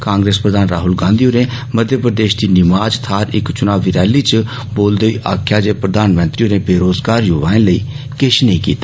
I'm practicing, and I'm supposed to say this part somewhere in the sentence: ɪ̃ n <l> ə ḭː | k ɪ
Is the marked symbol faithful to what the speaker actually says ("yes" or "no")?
yes